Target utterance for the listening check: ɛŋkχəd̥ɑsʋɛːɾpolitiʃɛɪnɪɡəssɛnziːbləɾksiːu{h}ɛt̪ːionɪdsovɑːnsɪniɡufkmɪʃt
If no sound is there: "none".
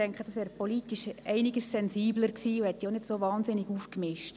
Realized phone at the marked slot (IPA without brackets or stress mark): h